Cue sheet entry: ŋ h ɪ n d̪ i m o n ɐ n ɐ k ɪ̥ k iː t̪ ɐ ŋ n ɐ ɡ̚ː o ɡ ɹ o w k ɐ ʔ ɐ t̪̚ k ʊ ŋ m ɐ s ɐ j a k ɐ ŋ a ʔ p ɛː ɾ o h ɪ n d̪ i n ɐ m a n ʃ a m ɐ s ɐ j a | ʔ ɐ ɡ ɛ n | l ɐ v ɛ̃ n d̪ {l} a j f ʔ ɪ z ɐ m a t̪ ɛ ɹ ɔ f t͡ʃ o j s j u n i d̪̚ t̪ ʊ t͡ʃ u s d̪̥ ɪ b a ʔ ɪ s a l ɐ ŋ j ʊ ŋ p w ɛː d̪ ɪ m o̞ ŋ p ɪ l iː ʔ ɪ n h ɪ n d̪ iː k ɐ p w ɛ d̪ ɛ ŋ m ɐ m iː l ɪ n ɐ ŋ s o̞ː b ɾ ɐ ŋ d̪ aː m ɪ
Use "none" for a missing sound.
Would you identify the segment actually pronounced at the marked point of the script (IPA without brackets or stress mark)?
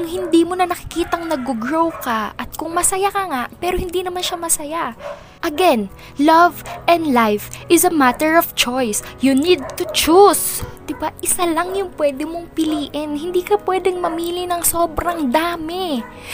l